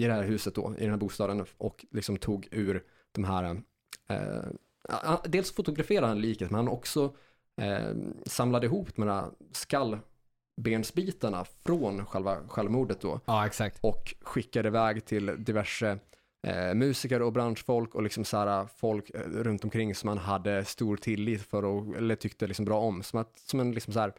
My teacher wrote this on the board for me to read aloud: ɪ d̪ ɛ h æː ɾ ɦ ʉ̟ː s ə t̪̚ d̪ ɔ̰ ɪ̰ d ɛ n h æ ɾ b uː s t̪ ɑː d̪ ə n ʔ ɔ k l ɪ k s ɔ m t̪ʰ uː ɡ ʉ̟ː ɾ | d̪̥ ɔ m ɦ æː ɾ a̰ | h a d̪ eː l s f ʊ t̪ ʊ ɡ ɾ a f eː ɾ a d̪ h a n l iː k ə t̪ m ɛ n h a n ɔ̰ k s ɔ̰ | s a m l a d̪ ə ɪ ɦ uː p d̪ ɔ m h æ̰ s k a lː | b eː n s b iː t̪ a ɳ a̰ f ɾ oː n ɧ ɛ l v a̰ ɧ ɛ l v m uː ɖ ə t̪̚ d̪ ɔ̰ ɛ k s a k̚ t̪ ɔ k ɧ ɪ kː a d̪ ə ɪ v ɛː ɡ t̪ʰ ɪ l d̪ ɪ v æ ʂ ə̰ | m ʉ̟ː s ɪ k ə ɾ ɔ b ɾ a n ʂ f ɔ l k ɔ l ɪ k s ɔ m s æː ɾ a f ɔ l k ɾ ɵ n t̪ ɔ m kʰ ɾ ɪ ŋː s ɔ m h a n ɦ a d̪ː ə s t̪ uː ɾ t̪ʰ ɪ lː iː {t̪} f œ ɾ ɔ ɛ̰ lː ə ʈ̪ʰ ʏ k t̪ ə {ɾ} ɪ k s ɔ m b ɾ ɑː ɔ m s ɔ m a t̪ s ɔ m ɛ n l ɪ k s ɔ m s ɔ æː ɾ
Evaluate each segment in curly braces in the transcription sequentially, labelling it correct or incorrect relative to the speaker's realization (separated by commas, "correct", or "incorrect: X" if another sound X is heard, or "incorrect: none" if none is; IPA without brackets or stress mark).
correct, incorrect: l